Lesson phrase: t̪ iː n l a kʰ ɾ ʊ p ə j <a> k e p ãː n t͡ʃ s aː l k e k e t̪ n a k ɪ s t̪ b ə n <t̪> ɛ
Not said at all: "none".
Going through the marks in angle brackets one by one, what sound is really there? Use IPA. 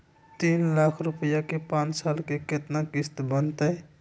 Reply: a, t̪

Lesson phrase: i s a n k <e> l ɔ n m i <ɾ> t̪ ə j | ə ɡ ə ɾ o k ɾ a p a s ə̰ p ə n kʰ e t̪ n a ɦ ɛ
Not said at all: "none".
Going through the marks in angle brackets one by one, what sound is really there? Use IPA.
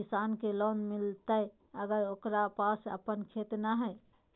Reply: e, l

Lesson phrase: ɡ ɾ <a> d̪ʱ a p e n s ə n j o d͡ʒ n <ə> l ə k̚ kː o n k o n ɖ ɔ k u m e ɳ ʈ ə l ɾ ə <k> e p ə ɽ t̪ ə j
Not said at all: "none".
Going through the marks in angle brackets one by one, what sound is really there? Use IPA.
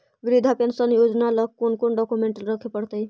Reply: i, a, kʰ

